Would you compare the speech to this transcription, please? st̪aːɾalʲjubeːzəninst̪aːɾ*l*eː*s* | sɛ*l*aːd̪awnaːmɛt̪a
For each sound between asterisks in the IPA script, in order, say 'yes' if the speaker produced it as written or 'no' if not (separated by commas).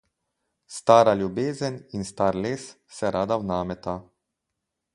yes, yes, no